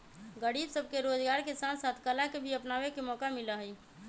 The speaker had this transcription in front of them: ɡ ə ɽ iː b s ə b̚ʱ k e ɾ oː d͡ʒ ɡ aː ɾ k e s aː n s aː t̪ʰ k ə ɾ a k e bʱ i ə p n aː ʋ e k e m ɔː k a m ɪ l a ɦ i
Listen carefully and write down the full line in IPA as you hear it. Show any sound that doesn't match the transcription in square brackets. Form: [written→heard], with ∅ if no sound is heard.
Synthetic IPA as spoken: ɡ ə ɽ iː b s ə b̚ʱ k e ɾ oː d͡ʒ ɡ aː ɾ k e s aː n s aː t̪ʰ k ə [ɾ→l] a k e bʱ i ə p n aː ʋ e k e m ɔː k a m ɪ l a ɦ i

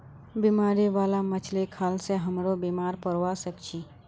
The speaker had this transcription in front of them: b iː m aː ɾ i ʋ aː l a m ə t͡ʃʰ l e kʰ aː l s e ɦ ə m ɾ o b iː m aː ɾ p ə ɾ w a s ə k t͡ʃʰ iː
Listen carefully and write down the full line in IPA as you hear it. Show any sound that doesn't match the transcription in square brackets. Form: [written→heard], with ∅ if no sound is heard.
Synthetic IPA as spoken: b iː m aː ɾ i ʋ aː l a m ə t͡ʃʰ l e kʰ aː l s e ɦ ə m ɾ o b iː m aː ɾ p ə ɾ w a s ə k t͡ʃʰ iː

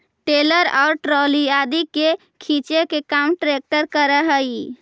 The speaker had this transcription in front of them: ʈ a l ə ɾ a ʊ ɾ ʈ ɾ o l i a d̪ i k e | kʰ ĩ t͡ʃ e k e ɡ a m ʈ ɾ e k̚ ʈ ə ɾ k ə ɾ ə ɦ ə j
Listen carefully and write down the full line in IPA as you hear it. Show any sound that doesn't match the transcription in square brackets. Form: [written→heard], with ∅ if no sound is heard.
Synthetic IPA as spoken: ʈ [a→e] l ə ɾ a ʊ ɾ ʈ ɾ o l i a d̪ i k e | kʰ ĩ t͡ʃ e k e [ɡ→k] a m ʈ ɾ e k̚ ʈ ə ɾ k ə ɾ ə ɦ ə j

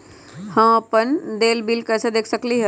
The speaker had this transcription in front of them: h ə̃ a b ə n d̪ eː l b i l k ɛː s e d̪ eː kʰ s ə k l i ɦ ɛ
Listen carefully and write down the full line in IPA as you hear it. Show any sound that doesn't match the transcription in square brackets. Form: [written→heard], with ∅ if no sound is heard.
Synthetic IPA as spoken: h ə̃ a [b→p] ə n d̪ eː l b i l k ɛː s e d̪ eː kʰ s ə k l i ɦ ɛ

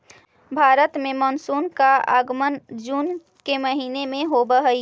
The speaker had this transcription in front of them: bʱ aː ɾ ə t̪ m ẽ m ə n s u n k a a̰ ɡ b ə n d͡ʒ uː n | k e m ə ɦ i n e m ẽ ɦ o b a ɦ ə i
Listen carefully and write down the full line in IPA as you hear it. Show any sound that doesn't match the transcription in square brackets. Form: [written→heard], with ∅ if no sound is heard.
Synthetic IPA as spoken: bʱ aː ɾ ə t̪ m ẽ m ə n s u n k a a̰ ɡ [b→m] ə n d͡ʒ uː n | k e m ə ɦ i n e m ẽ ɦ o b [a→ə] ɦ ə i

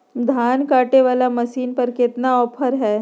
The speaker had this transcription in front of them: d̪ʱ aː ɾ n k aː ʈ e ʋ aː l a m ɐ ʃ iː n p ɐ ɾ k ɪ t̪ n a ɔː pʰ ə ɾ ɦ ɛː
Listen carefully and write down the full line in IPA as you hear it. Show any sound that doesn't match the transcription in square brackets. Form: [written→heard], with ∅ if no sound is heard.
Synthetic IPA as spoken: d̪ʱ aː [ɾ→∅] n k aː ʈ e ʋ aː l a m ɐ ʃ iː n p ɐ ɾ k ɪ t̪ n a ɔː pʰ ə ɾ ɦ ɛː

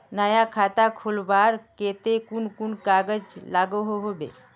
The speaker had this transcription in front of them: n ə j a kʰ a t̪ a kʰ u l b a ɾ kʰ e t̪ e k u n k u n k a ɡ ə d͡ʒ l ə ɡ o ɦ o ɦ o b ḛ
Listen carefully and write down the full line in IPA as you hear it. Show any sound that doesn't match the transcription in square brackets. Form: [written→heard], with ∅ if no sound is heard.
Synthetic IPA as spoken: n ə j a kʰ a t̪ a kʰ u l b a ɾ [kʰ→k] e t̪ e k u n k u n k a ɡ ə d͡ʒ l [ə→a] ɡ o ɦ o ɦ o b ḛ

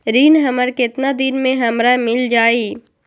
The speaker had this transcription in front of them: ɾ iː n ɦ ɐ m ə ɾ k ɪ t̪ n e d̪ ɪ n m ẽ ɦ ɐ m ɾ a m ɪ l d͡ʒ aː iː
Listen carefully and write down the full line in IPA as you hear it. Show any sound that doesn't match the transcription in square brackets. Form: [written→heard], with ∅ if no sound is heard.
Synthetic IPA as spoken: ɾ iː n ɦ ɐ m ə ɾ k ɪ t̪ n [e→a] d̪ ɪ n m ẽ ɦ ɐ m ɾ a m ɪ l d͡ʒ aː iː

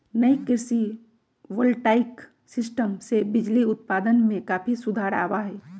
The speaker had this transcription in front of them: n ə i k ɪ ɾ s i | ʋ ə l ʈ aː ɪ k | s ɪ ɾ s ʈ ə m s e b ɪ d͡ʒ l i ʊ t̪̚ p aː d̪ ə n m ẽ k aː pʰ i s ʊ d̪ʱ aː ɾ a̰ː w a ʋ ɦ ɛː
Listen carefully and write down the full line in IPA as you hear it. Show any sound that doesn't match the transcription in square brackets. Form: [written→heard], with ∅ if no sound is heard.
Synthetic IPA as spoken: n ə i k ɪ ɾ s i | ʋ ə l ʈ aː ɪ k | s ɪ [ɾ→∅] s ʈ ə m s e b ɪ d͡ʒ l i ʊ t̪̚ p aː d̪ ə n m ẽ k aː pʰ i s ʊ d̪ʱ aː ɾ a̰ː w a [ʋ→∅] ɦ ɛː

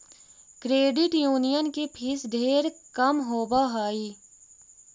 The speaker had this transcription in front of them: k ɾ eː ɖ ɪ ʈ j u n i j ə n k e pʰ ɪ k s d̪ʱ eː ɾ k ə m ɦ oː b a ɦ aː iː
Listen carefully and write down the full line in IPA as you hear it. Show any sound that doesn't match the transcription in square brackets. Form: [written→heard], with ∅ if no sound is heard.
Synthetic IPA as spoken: k ɾ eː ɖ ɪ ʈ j [u→uː] n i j ə n k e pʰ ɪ [k→∅] s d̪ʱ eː ɾ k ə m ɦ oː b a ɦ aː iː

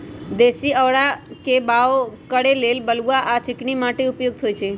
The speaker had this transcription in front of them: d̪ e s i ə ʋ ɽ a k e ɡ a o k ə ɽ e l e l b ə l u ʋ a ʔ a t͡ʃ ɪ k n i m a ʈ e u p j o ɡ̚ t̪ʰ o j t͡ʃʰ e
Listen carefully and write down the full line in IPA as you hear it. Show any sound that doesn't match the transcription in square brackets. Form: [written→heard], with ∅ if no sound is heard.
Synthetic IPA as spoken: d̪ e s i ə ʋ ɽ a k e [ɡ→b] a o k ə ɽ e l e l b ə l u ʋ a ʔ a t͡ʃ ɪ k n i m a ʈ e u p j o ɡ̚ t̪ʰ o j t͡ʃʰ e

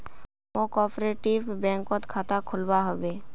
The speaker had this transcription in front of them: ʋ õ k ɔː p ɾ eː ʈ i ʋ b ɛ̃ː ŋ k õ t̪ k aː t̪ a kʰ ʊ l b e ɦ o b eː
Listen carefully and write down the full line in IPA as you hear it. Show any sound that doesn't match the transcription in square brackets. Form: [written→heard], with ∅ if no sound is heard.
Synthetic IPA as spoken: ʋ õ k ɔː p ɾ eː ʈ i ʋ b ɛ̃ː ŋ k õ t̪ [k→kʰ] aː t̪ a kʰ ʊ l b [e→a] ɦ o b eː

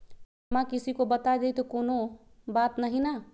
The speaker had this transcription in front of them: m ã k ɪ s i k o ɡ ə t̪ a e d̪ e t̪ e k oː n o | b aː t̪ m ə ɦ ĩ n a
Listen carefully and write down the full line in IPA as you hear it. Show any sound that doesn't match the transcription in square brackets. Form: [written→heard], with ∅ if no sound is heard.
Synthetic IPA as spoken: m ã k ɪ s i k o [ɡ→b] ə t̪ a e d̪ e t̪ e k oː n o | b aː t̪ [m→n] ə ɦ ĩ n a

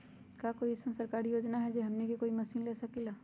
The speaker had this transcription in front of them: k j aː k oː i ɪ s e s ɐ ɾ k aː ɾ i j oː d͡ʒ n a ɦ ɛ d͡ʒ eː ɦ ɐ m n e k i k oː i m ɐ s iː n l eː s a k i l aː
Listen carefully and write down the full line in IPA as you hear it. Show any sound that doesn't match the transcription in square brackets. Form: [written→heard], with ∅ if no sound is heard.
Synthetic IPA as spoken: k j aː k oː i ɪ s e s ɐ ɾ k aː ɾ i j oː d͡ʒ n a ɦ ɛ d͡ʒ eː ɦ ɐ m n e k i k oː i m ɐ s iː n l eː s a k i l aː

